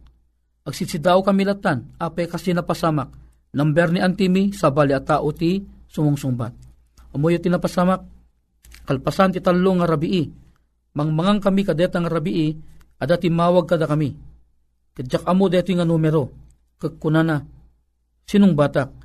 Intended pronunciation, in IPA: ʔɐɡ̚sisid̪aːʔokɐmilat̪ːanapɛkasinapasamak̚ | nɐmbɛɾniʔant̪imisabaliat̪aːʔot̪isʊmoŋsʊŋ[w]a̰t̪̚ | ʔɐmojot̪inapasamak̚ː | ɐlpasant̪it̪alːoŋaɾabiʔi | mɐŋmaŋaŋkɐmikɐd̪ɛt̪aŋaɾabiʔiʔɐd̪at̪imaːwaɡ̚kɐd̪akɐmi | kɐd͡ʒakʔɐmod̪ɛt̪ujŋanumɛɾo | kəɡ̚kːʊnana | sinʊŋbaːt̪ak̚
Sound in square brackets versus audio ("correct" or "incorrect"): incorrect